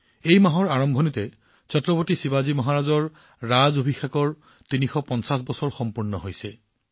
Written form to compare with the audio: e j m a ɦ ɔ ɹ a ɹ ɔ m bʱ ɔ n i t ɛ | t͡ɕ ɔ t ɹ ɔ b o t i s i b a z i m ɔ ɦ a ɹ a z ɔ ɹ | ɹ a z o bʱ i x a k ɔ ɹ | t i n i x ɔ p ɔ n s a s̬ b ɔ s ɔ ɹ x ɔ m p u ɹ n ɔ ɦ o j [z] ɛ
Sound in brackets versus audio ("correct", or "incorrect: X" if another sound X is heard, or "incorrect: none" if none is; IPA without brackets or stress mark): incorrect: s